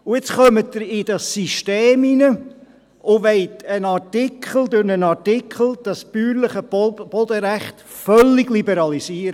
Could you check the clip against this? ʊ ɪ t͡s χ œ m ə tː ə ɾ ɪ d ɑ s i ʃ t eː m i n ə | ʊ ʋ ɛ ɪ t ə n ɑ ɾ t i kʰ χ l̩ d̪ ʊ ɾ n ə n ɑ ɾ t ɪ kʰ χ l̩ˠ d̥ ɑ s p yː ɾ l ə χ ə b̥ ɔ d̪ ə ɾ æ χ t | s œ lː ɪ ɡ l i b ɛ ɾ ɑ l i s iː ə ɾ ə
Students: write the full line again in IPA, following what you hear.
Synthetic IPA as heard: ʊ ɪ t͡s χ œ m ə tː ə ɾ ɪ d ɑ s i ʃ t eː m i n ə | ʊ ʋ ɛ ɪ t ə n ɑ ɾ t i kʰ χ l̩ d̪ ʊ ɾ n ə n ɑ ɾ t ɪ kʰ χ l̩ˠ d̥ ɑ s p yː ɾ l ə χ ə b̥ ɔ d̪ ə ɾ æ χ t | f œ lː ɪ ɡ l i b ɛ ɾ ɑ l i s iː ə ɾ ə